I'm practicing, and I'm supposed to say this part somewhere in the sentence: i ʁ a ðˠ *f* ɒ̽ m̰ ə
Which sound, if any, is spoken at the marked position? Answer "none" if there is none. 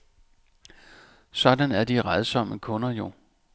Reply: s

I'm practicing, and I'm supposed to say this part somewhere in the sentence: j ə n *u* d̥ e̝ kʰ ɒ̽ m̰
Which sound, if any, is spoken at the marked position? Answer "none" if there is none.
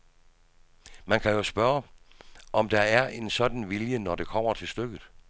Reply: ɒ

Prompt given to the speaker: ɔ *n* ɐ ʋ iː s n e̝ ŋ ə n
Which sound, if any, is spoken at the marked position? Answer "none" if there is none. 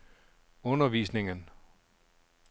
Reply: n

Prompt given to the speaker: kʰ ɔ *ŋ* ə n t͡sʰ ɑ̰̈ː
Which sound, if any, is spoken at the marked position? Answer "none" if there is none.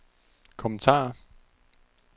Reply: m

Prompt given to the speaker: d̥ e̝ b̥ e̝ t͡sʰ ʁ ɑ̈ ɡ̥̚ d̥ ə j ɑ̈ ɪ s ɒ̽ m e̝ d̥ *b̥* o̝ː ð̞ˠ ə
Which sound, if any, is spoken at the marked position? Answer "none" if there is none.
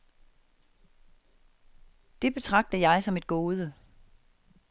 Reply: ɡ̥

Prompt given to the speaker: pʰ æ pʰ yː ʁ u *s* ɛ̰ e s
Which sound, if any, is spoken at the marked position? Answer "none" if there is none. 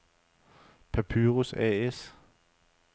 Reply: s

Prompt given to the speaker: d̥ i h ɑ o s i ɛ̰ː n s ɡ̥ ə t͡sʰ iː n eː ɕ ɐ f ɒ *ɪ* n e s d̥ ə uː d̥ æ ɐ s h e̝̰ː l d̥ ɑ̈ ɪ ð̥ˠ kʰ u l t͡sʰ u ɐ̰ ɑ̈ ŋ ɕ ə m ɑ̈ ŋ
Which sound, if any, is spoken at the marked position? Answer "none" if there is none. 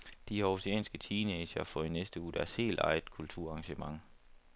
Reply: i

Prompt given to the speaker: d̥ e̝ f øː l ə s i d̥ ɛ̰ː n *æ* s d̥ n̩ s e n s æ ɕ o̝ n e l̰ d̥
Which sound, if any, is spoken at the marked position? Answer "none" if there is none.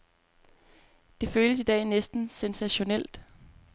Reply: e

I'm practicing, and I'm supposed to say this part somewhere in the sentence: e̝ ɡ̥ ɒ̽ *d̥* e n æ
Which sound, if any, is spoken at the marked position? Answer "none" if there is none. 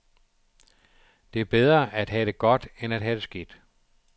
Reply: d̥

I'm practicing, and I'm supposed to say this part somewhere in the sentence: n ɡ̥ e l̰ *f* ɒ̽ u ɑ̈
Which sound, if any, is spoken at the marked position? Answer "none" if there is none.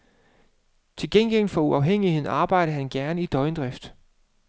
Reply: f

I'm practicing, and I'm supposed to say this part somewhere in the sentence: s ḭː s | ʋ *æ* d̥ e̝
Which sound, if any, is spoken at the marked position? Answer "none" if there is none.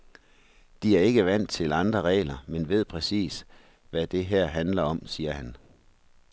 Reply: æ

